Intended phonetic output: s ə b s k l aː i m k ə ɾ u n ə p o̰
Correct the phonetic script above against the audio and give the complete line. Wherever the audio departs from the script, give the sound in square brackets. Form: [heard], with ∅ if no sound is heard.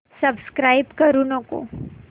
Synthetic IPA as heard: s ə b s k [ɾ] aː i [b] k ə ɾ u n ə [k] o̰